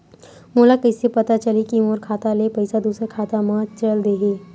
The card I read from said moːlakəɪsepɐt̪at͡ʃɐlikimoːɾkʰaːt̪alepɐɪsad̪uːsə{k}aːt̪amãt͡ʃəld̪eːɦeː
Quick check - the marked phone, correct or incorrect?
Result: incorrect